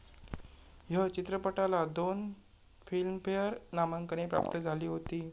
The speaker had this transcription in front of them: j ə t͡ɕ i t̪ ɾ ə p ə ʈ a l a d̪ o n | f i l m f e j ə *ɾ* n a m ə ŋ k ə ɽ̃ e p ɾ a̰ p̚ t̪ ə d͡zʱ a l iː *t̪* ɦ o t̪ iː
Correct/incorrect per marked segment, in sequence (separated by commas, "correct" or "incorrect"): correct, incorrect